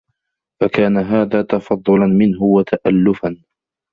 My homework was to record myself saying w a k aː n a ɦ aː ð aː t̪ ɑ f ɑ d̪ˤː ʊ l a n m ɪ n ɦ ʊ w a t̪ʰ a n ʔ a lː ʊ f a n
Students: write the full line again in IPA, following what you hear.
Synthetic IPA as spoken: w a k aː n a ɦ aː ð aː t̪ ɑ f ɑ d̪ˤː ʊ l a n m ɪ n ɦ ʊ w a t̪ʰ a ʔ a lː ʊ f a n